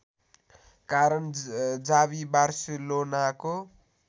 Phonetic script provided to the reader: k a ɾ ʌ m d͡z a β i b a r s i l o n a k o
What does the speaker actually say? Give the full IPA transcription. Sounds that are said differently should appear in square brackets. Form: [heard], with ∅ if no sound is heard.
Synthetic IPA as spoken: k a ɾ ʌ [n] d͡z a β i b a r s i l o n a k o